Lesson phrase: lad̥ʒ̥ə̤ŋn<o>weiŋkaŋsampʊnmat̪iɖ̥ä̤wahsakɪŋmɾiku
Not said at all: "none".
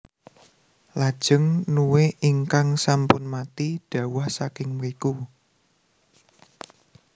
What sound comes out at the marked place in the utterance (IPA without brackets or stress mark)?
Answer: u